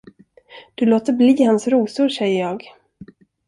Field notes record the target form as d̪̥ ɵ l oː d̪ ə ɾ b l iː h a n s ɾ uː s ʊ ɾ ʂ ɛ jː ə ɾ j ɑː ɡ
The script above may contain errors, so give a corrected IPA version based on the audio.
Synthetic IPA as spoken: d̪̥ ɵ l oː t̪ ə ɾ b l iː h a n s ɾ uː s ʊ ɾ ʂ ɛ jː ə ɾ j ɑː ɡ